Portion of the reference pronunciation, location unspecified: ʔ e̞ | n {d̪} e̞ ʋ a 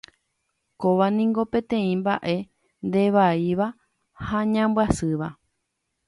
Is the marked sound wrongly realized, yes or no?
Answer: no